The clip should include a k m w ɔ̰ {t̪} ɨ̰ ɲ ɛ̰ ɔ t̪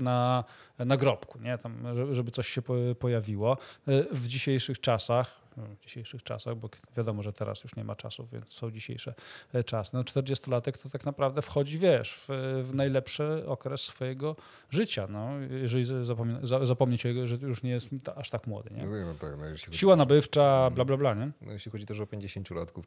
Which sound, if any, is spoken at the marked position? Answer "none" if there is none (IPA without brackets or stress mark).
d̪